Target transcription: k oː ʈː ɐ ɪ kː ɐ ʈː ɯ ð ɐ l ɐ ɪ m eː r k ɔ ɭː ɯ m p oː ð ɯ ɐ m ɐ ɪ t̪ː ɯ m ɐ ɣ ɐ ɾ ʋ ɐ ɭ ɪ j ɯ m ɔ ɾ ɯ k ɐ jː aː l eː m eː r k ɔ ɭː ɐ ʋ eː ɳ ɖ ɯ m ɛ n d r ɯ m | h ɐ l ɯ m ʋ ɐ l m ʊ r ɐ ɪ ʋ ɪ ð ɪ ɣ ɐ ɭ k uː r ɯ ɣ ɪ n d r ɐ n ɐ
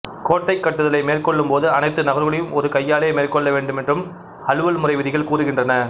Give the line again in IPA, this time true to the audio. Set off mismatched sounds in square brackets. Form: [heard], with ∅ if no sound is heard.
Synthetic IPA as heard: k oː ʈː ɐ ɪ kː ɐ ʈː ɯ ð ɐ l ɐ ɪ m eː r k ɔ ɭː ɯ m p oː ð ɯ ɐ [n] ɐ ɪ t̪ː ɯ [n] ɐ ɣ ɐ ɾ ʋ ɐ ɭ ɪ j ɯ m ɔ ɾ ɯ k ɐ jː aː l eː m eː r k ɔ ɭː ɐ ʋ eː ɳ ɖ ɯ m ɛ n d r ɯ m | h ɐ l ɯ [∅] ʋ ɐ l m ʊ r ɐ ɪ ʋ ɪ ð ɪ ɣ ɐ ɭ k uː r ɯ ɣ ɪ n d r ɐ n ɐ